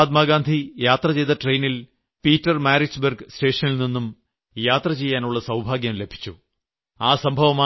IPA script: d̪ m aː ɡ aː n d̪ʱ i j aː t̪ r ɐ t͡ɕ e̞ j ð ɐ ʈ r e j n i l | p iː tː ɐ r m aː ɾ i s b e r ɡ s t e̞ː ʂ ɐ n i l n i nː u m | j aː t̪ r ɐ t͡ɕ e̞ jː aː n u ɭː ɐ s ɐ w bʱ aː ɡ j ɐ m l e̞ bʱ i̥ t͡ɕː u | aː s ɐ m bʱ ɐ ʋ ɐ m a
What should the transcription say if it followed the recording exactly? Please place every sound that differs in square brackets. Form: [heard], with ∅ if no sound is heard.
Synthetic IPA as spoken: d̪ m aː ɡ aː n d̪ʱ i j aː t̪ r ɐ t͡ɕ e̞ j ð ɐ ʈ r e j n i l | p iː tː ɐ r m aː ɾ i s b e r ɡ s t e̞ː ʂ ɐ n i l n i nː u m | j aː t̪ r ɐ t͡ɕ e̞ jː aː n u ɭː ɐ s ɐ w bʱ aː ɡ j ɐ m l e̞ bʱ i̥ t͡ɕː u | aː s ɐ m bʱ ɐ ʋ ɐ m a